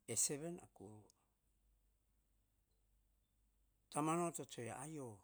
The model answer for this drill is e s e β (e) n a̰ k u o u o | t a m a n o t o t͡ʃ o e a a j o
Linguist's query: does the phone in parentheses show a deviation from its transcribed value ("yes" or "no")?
no